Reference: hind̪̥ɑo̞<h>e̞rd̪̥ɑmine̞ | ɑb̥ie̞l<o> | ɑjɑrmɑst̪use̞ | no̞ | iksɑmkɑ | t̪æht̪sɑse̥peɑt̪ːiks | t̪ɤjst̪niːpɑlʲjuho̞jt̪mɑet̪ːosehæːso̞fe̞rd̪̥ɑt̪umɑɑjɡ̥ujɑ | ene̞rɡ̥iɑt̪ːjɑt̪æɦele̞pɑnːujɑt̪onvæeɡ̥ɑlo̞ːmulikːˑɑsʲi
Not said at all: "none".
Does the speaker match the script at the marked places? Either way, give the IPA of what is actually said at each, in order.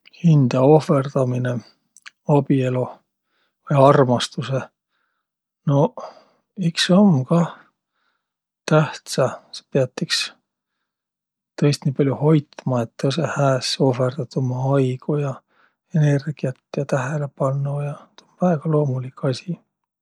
f, o

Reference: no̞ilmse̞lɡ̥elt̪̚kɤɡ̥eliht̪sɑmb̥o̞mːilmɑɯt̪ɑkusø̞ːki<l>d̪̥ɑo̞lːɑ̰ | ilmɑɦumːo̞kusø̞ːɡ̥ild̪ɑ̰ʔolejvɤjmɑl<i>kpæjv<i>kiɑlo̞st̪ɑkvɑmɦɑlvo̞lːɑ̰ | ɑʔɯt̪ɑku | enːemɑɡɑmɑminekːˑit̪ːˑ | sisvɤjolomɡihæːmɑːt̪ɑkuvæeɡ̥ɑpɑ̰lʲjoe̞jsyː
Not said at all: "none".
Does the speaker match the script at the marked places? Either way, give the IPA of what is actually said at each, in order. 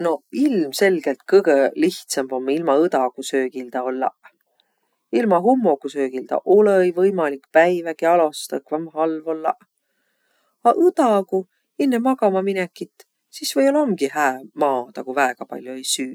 l, i, æ

